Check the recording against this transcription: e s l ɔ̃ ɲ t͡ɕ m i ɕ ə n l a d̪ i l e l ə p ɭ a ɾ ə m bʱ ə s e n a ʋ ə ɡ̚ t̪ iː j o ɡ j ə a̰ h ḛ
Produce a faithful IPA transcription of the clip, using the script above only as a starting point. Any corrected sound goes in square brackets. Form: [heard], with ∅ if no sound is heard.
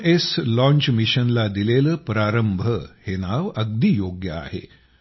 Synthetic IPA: e s l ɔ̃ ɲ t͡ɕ m i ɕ ə n l a d̪ i l e l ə p [ɾ] a ɾ ə m bʱ ə [h] e n a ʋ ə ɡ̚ [d̪] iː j o ɡ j ə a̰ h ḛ